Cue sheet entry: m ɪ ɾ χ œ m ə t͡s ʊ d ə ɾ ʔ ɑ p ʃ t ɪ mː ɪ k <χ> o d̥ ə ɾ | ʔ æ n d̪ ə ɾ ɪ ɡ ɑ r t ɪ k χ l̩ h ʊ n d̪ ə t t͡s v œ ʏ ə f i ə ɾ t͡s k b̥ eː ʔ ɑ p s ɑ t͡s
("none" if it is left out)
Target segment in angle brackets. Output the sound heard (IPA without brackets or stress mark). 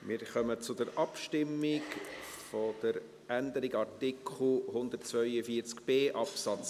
f